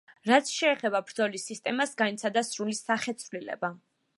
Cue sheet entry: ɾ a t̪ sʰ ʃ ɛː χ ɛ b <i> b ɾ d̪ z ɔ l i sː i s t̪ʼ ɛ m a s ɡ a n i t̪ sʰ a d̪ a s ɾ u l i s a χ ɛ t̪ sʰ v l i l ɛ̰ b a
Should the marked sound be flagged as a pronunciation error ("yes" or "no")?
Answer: yes